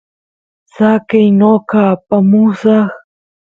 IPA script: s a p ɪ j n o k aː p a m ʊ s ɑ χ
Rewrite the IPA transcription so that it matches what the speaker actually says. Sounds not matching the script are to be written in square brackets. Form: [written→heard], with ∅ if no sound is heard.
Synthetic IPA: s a [p→k] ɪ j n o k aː p a m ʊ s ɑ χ